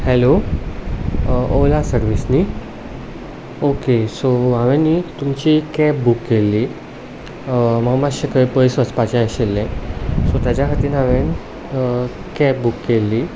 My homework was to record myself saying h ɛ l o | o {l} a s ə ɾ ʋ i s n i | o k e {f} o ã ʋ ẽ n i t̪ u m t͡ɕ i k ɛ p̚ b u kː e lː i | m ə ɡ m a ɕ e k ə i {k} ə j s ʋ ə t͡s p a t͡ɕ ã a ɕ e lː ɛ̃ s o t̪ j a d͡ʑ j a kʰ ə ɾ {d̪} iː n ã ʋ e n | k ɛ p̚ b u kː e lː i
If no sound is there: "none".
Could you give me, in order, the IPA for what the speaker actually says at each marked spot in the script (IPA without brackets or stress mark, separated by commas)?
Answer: l, s, p, t̪